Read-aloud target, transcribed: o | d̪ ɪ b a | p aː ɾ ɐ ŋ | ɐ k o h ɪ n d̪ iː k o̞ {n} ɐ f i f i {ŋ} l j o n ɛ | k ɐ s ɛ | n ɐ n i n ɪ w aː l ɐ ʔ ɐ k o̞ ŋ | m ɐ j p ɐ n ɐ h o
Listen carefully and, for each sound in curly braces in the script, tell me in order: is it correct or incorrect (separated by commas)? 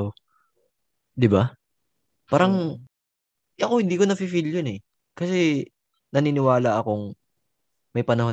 correct, incorrect